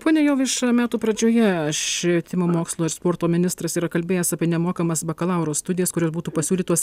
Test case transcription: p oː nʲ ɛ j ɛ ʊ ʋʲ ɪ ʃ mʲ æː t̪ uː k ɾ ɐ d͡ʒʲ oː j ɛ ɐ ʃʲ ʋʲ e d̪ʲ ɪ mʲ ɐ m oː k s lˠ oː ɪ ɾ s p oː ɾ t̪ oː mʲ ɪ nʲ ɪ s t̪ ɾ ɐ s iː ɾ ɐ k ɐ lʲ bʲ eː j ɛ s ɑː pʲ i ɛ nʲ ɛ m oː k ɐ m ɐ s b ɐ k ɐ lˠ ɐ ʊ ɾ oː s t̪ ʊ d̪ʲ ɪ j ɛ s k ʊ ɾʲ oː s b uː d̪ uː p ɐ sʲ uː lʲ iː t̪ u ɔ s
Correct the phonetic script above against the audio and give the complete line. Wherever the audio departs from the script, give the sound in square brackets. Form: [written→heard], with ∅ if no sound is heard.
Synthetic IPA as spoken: p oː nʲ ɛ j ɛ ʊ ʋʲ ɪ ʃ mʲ æː t̪ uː [k→p] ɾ ɐ d͡ʒʲ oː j ɛ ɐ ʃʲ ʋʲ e [d̪ʲ→t̪ʲ] ɪ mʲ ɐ m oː k s lˠ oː ɪ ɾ s p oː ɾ t̪ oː mʲ ɪ nʲ ɪ s t̪ ɾ ɐ s iː ɾ ɐ k ɐ lʲ bʲ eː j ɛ s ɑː pʲ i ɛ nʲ ɛ m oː k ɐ m ɐ s b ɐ k ɐ lˠ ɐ ʊ ɾ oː s t̪ ʊ d̪ʲ ɪ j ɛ s k ʊ ɾʲ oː s b uː [d̪→t̪] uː p ɐ sʲ uː lʲ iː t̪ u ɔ s